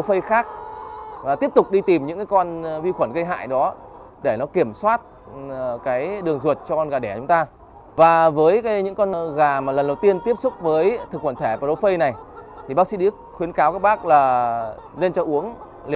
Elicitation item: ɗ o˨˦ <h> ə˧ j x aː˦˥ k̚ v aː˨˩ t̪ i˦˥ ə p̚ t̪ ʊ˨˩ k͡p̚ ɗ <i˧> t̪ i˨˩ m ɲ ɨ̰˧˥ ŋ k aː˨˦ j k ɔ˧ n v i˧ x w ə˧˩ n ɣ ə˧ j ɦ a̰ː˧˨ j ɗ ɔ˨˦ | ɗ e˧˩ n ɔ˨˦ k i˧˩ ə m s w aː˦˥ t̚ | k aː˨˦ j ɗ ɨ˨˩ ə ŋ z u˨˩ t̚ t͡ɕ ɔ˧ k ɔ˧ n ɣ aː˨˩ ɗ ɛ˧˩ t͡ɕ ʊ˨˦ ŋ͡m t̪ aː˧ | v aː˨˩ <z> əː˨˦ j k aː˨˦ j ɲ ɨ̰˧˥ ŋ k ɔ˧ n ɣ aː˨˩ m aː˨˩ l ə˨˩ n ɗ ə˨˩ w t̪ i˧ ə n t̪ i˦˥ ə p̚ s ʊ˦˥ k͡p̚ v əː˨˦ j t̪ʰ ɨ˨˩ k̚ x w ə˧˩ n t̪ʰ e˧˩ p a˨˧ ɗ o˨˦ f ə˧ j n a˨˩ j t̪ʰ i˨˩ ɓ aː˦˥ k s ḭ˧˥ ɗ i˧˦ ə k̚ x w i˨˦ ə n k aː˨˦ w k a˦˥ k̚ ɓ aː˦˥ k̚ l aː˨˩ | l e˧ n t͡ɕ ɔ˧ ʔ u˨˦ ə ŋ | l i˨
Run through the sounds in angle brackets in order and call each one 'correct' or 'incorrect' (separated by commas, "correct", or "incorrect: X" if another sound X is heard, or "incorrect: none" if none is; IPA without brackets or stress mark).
incorrect: f, correct, incorrect: v